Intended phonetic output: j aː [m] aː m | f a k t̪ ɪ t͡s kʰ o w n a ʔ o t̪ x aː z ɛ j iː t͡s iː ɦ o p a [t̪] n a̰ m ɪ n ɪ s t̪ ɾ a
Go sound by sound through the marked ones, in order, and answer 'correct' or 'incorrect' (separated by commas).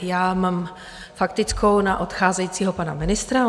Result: correct, incorrect